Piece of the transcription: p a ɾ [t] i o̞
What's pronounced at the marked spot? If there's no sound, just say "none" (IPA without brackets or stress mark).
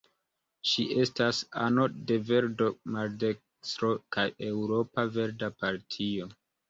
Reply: tʰ